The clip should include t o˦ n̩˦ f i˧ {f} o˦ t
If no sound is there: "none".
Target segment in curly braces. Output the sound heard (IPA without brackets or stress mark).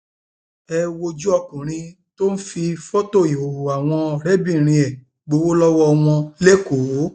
f